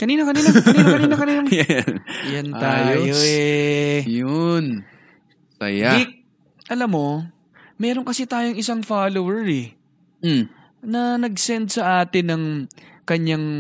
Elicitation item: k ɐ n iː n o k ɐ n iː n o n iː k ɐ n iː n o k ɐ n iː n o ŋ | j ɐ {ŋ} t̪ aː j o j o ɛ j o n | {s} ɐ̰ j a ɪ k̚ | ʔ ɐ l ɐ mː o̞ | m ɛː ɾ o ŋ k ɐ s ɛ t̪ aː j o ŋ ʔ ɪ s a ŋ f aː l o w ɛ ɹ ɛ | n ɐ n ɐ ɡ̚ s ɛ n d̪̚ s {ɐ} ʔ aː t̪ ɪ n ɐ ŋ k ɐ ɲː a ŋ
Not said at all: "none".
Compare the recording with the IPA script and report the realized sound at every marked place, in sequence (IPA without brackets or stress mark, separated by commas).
n, s, ɐ